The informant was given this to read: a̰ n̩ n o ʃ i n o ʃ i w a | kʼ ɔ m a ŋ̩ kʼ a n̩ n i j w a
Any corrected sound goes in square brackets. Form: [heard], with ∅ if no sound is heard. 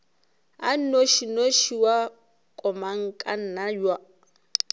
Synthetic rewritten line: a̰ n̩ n o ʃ i n o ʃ i w a | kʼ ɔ m a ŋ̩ kʼ a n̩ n [a] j w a